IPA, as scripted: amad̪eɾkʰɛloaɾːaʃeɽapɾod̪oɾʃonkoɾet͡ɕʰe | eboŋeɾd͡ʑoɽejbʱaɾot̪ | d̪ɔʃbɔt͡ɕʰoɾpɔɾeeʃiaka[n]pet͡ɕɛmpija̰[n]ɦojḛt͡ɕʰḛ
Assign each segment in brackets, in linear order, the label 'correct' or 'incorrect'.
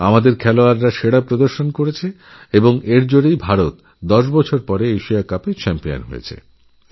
incorrect: none, correct

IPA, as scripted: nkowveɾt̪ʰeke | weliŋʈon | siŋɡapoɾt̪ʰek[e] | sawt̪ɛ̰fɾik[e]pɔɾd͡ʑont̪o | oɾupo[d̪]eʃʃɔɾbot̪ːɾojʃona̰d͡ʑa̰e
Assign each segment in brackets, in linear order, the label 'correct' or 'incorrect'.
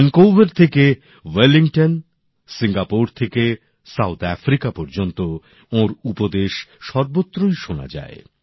correct, incorrect: a, correct

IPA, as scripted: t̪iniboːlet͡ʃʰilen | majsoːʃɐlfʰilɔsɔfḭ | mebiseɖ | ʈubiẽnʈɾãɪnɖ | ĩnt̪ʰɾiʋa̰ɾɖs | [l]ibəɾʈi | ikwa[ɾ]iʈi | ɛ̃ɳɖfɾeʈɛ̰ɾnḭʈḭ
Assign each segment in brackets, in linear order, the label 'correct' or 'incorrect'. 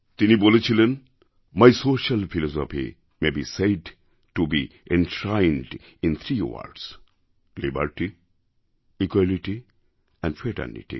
correct, incorrect: l

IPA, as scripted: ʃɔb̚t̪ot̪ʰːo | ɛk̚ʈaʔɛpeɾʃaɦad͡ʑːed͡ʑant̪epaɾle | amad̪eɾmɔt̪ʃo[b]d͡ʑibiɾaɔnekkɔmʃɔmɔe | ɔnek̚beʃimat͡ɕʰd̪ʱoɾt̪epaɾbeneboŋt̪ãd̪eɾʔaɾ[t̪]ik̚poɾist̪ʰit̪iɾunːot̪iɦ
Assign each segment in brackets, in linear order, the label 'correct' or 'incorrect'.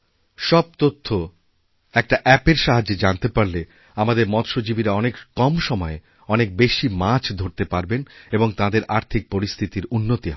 incorrect: none, incorrect: t̪ʰ

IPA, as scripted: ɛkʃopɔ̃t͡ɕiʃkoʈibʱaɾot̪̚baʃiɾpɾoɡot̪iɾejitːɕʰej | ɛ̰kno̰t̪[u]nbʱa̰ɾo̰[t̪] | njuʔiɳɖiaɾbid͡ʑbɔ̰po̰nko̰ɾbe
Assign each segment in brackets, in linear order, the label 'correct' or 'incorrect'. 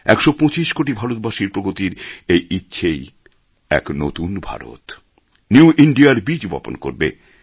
correct, correct

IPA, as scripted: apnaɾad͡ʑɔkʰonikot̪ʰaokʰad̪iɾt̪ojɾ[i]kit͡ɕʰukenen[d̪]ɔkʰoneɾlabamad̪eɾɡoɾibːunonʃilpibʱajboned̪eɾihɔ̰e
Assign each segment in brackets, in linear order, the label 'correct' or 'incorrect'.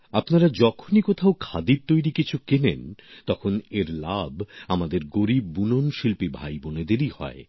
correct, incorrect: t̪

